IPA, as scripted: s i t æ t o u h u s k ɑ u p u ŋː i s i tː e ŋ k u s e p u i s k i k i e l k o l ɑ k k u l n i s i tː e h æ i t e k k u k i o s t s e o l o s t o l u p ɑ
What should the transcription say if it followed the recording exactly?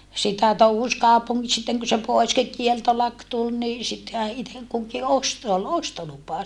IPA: s i t æ t o u h u s k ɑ u p u ŋː i s i tː e ŋ k u s e p o i s k i k i e l t o l ɑ k t u l n i s i tː e h æ i t e k k u k i o s t s e o l o s t o l u p ɑ